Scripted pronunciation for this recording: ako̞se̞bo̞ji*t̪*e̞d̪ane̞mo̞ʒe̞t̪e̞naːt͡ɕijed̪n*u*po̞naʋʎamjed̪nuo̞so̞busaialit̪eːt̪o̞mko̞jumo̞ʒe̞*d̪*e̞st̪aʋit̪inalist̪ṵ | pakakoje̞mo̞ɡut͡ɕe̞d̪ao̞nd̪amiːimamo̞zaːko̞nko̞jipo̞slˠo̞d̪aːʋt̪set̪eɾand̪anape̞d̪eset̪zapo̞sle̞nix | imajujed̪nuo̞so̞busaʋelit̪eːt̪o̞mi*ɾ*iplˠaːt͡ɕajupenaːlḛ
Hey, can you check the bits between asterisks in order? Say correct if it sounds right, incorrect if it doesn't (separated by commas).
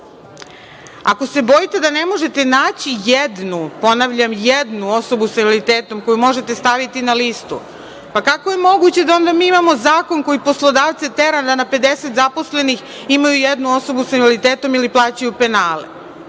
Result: correct, correct, incorrect, incorrect